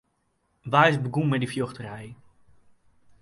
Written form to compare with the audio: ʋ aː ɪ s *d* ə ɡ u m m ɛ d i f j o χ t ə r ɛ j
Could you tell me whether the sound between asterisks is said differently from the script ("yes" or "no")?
yes